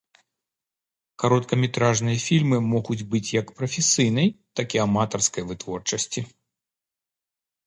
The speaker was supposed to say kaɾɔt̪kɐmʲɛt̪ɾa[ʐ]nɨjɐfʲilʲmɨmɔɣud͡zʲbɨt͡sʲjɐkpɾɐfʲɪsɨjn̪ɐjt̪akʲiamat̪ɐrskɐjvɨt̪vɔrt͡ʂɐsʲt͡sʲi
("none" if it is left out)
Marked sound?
ʐ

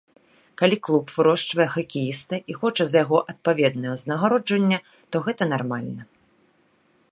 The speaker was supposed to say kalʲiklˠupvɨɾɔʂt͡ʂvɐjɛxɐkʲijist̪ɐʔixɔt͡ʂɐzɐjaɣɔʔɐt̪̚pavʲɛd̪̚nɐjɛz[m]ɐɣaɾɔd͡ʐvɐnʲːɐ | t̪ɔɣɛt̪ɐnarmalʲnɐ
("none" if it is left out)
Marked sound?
n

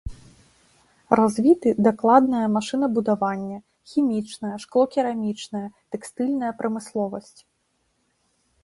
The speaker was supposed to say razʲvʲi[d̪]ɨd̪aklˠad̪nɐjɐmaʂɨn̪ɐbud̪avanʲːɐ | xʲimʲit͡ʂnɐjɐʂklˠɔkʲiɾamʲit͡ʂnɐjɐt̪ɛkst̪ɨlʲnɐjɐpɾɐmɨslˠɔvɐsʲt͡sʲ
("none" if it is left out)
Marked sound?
t̪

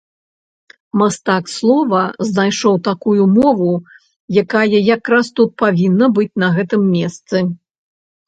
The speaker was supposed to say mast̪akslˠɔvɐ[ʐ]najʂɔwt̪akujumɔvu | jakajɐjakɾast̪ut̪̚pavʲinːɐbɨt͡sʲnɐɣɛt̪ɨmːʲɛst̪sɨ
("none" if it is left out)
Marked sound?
z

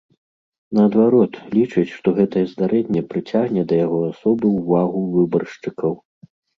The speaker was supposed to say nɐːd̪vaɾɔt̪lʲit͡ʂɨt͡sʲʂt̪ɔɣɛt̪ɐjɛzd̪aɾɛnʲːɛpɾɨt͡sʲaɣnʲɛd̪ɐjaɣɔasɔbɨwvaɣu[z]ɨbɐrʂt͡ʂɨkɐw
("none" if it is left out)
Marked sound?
v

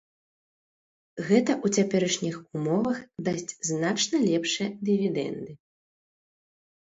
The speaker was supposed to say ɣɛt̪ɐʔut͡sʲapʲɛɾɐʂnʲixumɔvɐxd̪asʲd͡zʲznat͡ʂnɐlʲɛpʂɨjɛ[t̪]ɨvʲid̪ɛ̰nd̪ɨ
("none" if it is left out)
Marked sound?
d̪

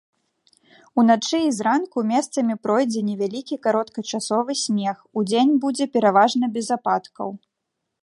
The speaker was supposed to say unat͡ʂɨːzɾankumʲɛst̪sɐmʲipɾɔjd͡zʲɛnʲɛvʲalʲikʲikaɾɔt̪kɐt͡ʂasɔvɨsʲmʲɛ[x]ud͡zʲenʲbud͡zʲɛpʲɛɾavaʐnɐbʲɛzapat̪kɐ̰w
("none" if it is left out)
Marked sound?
x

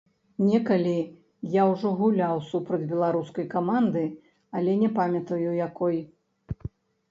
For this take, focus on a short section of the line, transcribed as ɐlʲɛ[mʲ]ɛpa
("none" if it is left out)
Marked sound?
nʲ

